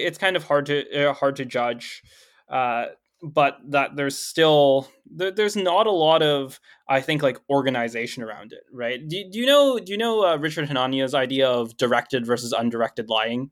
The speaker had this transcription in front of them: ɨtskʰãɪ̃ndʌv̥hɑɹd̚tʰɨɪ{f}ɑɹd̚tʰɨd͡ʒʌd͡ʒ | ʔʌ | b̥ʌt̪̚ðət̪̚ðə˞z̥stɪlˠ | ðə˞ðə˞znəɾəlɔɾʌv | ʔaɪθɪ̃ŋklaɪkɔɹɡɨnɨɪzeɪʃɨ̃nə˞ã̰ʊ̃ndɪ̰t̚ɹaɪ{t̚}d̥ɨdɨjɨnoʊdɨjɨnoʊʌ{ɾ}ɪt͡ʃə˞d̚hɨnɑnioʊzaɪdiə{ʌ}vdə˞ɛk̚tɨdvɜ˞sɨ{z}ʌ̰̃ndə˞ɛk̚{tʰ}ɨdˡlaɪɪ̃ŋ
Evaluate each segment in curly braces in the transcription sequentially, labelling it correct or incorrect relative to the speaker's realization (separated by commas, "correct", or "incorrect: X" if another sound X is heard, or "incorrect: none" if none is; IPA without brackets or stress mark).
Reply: incorrect: h, correct, incorrect: ɹ, correct, correct, incorrect: t